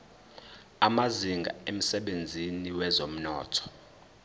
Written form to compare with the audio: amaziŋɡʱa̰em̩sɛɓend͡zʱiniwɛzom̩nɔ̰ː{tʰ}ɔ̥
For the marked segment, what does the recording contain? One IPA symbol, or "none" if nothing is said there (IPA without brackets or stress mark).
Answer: tʰ